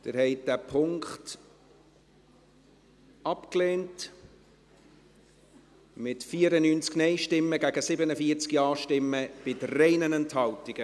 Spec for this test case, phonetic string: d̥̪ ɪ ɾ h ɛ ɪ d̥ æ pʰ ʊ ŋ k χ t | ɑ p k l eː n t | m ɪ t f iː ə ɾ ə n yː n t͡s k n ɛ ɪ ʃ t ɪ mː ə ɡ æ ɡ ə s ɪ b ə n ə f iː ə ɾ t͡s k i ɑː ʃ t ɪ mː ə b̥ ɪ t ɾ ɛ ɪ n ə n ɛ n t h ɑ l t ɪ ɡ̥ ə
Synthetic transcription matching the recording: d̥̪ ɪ ɾ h ɛ ɪ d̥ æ pʰ ʊ ŋ k χ t | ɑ p k l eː n t | m ɪ t f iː ə ɾ ə n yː n t͡s k n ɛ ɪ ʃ t ɪ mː ə ɡ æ ɡ ə s ɪ b ə n ə f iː ə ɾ t͡s k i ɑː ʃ t ɪ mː ə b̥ ɪ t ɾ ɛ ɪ n ə n ɛ n t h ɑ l t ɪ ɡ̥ ə